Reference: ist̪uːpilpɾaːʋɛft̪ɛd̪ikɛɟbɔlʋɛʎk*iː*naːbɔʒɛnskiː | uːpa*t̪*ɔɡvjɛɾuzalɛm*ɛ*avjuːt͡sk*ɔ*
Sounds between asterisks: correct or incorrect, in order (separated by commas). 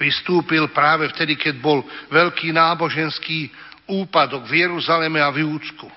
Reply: correct, incorrect, correct, incorrect